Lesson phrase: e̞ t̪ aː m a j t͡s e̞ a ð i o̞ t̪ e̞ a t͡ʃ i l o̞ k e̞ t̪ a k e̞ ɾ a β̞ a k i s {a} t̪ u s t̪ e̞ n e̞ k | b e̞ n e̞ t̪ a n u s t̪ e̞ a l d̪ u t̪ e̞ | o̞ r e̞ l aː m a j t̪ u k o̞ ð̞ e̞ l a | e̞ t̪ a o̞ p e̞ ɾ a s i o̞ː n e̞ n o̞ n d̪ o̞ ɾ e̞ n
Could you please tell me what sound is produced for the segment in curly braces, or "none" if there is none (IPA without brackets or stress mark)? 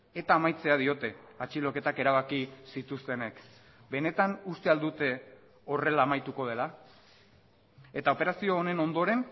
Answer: i